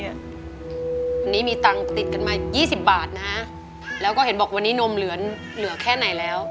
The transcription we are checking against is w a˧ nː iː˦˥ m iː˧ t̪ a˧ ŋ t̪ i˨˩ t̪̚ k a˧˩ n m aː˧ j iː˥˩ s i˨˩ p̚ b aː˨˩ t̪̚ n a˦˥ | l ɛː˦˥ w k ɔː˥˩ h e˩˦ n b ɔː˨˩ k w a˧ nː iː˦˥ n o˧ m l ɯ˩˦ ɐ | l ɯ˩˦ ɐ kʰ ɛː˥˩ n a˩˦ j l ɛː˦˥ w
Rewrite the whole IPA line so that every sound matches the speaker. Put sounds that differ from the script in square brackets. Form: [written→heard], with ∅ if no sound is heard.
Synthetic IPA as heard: w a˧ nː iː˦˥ m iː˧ t̪ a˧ ŋ t̪ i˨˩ t̪̚ k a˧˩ n m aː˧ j iː˥˩ s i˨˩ p̚ b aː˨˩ t̪̚ n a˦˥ | l ɛː˦˥ w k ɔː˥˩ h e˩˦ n b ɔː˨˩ k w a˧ nː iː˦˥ n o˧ m l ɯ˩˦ ɐ | l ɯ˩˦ ɐ kʰ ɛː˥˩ n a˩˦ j l ɛː˦˥ w